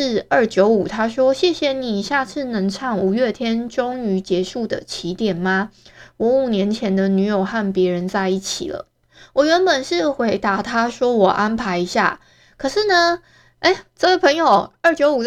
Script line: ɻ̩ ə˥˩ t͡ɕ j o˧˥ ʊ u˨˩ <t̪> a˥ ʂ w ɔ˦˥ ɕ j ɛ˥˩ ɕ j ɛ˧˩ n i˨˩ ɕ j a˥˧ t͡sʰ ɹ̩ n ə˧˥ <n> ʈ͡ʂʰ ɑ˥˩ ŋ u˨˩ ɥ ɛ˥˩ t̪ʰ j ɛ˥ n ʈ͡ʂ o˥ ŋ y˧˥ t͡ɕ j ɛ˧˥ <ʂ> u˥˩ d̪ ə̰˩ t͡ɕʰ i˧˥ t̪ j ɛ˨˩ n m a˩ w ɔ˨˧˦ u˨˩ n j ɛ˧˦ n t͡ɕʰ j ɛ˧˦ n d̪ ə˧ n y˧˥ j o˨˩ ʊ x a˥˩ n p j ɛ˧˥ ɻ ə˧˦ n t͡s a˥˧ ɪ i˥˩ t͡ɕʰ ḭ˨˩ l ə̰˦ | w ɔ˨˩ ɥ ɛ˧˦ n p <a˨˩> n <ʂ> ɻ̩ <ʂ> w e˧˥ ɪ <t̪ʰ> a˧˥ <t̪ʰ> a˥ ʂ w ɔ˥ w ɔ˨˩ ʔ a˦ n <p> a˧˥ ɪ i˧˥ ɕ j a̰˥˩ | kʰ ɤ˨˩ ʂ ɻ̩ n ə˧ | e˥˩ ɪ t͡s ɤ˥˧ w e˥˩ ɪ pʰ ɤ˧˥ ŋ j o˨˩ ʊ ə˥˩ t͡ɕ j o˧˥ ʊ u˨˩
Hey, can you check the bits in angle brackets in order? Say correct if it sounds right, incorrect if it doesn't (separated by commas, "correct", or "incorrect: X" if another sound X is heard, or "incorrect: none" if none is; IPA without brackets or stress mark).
incorrect: t̪ʰ, incorrect: ŋ, correct, incorrect: ə˨˩, correct, incorrect: x, incorrect: t̪, correct, incorrect: pʰ